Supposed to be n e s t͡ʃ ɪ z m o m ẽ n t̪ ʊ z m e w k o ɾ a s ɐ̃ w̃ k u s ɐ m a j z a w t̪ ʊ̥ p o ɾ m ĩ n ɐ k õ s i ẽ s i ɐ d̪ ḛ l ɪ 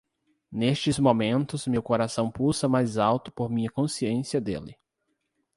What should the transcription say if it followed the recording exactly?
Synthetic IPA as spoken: n e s t͡ʃ ɪ z m o m ẽ n t̪ ʊ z m e w k o ɾ a s ɐ̃ w̃ p u s ɐ m a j z a w t̪ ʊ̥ p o ɾ m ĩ ɲ ɐ k õ s i ẽ s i ɐ d̪ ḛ l ɪ